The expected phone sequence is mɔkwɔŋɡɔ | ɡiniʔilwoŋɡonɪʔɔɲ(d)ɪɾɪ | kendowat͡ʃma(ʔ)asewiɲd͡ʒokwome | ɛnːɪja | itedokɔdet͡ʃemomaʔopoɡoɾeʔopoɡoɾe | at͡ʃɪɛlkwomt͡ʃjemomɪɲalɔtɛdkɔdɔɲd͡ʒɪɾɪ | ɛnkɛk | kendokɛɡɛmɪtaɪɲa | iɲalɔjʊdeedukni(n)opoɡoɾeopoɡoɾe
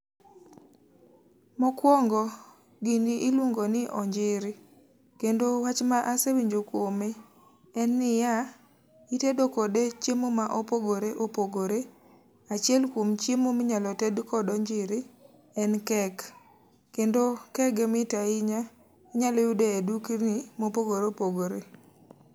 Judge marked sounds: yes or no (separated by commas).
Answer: no, yes, no